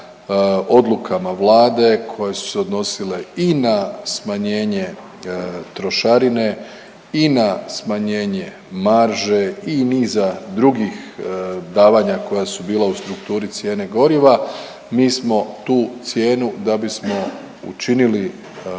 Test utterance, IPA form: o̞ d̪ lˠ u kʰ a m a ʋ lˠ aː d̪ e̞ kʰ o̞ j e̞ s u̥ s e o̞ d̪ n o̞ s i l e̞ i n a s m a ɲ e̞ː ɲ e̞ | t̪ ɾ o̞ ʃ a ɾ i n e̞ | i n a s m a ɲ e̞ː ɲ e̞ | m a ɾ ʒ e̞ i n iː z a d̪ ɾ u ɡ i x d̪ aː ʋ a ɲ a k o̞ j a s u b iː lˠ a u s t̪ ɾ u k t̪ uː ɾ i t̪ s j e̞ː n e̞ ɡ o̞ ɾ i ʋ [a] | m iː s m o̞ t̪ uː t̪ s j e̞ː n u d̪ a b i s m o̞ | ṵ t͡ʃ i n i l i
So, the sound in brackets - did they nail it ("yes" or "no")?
yes